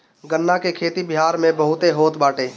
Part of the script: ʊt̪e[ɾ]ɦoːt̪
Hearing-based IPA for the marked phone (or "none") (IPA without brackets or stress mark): none